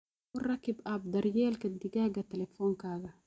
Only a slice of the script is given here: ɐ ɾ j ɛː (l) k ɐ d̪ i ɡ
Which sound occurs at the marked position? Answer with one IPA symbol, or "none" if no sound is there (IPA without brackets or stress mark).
l